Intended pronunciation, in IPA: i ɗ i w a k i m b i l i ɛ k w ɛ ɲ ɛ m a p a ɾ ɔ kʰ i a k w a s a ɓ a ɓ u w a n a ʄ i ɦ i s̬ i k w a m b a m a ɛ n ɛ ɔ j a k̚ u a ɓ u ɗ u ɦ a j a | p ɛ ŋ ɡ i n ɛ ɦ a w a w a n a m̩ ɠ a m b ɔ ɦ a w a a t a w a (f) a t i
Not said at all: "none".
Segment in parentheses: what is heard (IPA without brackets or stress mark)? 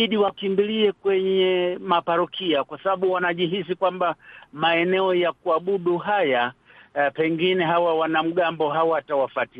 f